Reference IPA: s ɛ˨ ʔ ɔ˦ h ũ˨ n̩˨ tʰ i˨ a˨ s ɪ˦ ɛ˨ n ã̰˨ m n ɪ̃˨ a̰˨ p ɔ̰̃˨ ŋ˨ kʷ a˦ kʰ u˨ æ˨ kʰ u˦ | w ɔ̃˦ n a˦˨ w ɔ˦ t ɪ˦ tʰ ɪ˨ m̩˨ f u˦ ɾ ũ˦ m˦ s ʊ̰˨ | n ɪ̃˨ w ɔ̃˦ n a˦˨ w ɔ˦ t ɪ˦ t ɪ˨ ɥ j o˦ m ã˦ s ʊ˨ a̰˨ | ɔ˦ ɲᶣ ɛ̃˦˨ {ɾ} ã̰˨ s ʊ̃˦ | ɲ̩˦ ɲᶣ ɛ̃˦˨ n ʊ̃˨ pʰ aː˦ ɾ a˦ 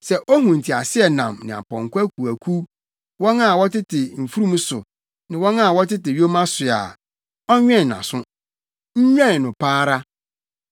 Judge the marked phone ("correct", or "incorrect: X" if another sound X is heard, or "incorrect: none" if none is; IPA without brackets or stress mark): incorrect: none